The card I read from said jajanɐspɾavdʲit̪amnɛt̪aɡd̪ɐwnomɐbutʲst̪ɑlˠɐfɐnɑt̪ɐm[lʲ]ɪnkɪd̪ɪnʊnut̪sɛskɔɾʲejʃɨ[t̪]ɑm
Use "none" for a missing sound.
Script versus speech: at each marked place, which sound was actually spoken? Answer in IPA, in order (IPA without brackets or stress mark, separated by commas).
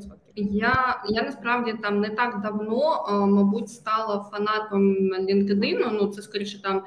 lʲ, t̪